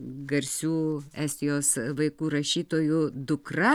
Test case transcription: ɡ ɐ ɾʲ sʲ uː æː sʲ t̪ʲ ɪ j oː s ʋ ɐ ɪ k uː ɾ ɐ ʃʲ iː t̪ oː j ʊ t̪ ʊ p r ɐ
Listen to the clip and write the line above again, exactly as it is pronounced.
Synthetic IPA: ɡ ɐ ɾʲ sʲ uː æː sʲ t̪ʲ ɪ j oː s ʋ ɐ ɪ k uː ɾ ɐ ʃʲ iː t̪ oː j ʊ d̪ ʊ k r ɐ